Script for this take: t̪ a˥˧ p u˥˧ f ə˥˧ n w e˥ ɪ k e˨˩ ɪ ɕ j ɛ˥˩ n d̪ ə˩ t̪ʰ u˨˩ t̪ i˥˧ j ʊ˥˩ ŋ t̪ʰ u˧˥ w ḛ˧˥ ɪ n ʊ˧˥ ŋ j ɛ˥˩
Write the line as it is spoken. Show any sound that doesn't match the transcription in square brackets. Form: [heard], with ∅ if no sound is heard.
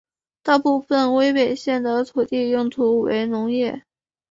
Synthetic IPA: t̪ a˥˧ p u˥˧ f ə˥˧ n w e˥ ɪ [p] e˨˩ ɪ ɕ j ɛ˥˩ n d̪ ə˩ t̪ʰ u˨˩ t̪ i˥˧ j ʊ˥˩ ŋ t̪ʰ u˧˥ w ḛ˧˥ ɪ n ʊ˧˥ ŋ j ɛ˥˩